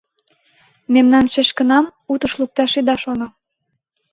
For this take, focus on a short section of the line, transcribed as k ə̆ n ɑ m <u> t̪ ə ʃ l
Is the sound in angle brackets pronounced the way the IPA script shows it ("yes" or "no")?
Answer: yes